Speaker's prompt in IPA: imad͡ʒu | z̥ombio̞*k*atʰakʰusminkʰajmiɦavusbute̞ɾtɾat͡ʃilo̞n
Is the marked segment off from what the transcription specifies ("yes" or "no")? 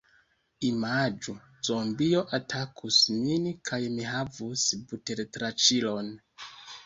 yes